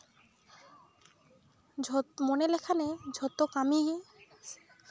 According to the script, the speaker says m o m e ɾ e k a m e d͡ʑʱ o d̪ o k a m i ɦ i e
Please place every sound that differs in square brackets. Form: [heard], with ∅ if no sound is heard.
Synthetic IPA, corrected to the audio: m o [n] e [l] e [kʰ] a [n] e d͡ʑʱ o [t̪] o k a m i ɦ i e